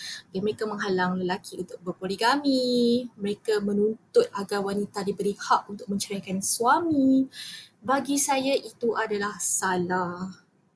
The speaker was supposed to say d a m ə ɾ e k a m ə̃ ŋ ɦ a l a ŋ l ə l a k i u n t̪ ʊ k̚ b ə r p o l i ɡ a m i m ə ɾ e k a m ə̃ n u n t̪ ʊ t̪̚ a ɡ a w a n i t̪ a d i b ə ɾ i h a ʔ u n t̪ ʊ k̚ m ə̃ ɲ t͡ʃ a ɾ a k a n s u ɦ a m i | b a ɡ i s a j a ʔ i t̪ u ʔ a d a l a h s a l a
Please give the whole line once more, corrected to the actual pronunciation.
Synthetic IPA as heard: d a m ə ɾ e k a m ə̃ ŋ ɦ a l a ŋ l ə l a k i u n t̪ ʊ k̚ b ə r p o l i ɡ a m i m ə ɾ e k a m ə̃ n u n t̪ ʊ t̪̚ a ɡ a w a n i t̪ a d i b ə ɾ i h a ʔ u n t̪ ʊ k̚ m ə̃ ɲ t͡ʃ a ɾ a k a n s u a m i | b a ɡ i s a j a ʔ i t̪ u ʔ a d a l a h s a l a